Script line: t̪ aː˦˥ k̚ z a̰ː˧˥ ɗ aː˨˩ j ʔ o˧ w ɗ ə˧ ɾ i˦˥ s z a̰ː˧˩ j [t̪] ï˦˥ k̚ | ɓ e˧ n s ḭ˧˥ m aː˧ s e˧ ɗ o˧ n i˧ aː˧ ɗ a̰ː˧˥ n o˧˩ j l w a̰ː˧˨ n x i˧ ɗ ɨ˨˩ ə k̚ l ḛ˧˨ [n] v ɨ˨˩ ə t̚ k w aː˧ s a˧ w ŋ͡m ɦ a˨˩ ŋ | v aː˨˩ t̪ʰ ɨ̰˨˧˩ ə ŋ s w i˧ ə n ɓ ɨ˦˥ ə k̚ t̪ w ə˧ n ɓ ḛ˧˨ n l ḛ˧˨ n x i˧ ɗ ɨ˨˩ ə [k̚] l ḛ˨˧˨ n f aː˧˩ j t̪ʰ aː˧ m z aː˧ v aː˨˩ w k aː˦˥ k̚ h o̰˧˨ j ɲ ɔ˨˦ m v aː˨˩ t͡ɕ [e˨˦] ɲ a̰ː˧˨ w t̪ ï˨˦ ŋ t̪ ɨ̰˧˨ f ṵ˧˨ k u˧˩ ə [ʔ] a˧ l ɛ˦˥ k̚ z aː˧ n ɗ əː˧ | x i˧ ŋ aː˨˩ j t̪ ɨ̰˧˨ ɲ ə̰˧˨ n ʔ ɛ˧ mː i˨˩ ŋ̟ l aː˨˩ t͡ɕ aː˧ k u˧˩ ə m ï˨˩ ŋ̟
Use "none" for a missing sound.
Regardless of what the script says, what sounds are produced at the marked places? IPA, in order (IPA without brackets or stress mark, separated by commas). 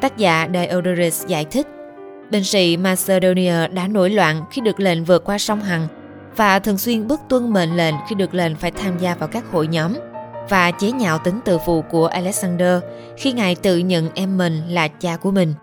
t̪ʰ, n, k̚, e˨˦, ʔ